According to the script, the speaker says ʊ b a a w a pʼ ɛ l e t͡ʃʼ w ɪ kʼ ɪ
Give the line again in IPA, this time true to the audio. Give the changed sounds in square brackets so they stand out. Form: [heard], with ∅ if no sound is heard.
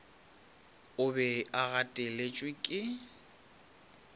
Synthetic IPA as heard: ʊ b [ɛ] a [ɣ] a [tʼ] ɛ l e t͡ʃʼ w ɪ kʼ ɪ